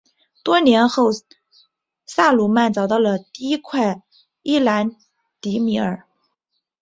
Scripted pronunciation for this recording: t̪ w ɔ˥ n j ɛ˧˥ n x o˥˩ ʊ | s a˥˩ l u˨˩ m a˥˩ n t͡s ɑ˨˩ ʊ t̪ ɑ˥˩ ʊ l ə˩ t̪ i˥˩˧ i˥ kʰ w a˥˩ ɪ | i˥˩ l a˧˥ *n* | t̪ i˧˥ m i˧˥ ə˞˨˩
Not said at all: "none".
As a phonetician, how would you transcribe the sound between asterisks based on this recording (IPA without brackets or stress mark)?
n